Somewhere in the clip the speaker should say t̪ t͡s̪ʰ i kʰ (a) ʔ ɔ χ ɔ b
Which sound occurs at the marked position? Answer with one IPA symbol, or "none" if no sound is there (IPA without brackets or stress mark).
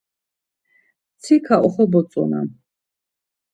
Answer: a